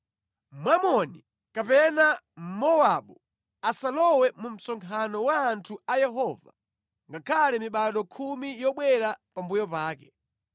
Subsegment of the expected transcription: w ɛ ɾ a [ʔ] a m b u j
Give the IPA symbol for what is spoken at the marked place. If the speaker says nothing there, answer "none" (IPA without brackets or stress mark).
p